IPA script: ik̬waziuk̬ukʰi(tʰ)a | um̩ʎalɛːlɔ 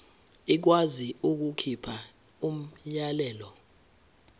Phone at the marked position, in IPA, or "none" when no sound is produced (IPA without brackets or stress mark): pʰ